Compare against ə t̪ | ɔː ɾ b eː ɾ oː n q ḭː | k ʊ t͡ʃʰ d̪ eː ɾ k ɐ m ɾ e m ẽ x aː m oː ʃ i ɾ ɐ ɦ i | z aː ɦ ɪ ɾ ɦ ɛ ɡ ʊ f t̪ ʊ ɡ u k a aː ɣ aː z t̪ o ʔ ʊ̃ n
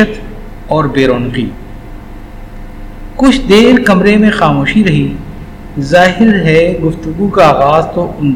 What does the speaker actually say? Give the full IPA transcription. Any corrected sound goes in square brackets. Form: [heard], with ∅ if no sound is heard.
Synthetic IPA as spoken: ə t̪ | ɔː ɾ b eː ɾ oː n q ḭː | k ʊ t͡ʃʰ d̪ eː ɾ k ɐ m ɾ e m ẽ x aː m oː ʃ i ɾ ɐ ɦ i | z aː ɦ ɪ ɾ ɦ ɛ ɡ ʊ f t̪ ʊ ɡ u k a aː ɣ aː z t̪ o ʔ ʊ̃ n